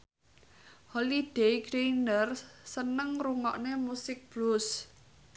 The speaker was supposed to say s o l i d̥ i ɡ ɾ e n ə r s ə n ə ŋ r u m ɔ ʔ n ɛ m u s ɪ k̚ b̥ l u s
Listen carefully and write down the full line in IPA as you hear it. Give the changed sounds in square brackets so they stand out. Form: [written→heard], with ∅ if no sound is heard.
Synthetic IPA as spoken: [s→h] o l i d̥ [i→e] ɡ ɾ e n ə r s ə n ə ŋ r u [m→ŋ] ɔ ʔ n [ɛ→e] m u s ɪ k̚ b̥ l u s